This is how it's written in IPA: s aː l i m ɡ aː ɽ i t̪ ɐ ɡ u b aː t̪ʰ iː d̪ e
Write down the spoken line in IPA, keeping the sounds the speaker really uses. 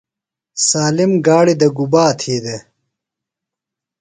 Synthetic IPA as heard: s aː l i m ɡ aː ɽ i d̪ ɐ ɡ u b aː t̪ʰ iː d̪ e